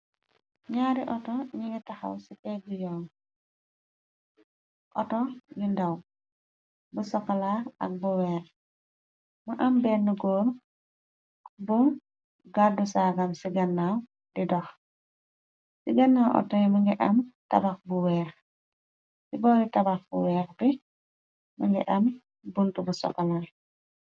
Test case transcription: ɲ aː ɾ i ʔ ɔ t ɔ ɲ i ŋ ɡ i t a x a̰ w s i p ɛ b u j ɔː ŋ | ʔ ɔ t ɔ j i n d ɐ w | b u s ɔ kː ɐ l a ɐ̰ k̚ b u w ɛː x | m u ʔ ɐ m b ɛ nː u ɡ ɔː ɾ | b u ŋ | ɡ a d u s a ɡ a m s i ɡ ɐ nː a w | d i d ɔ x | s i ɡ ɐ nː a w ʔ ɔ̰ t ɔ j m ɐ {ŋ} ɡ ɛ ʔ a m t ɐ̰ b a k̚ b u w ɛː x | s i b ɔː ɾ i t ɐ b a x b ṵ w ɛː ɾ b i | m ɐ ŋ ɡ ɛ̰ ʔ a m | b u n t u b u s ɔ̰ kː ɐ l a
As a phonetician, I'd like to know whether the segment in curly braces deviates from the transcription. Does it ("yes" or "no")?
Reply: no